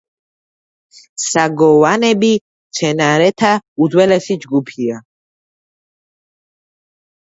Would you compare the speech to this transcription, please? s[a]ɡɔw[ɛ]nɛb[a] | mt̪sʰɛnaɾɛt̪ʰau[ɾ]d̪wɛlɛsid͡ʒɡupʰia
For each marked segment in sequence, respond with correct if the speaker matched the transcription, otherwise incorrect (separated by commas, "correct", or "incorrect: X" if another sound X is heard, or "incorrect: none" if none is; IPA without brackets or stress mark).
correct, incorrect: a, incorrect: i, incorrect: none